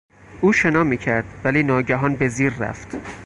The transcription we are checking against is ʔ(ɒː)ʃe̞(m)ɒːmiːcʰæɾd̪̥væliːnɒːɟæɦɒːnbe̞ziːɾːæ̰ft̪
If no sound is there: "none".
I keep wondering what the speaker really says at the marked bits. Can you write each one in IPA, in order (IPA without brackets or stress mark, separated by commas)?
uː, n